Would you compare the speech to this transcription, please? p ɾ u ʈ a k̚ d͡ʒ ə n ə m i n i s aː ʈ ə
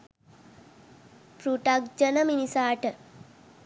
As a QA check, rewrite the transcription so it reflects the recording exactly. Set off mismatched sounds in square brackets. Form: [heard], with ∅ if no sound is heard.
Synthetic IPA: p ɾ u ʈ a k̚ d͡ʒ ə n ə m i n i s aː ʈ ə